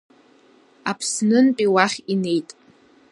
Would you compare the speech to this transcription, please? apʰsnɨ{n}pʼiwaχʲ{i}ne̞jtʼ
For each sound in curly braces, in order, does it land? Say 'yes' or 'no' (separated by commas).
yes, yes